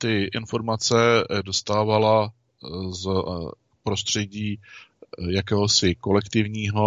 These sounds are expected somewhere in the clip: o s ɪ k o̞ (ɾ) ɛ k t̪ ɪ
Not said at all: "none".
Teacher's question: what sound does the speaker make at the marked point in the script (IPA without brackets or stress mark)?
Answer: l